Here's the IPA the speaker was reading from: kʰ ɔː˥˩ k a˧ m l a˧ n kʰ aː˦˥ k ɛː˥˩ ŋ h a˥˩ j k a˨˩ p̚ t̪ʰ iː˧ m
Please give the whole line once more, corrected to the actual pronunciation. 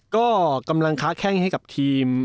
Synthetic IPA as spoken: k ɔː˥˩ k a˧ m l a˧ ŋ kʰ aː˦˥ kʰ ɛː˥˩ ŋ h a˥˩ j k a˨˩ p̚ t̪ʰ iː˧ m